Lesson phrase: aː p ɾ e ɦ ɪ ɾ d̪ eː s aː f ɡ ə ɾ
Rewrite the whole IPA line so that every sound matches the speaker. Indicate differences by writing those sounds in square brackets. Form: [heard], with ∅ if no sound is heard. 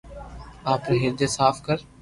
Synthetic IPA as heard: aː p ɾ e ɦ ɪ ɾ d̪ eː s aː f [k] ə ɾ